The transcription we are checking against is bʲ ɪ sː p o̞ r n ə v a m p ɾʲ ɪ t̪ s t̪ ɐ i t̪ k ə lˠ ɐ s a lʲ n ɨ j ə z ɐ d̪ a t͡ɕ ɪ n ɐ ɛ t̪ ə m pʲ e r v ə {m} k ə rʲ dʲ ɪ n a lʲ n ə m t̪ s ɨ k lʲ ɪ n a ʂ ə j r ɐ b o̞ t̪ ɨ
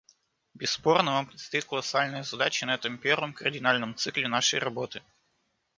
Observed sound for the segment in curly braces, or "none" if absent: m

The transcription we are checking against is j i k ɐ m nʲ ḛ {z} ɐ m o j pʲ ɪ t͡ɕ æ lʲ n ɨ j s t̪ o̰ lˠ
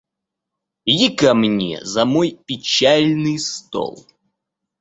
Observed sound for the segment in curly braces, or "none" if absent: z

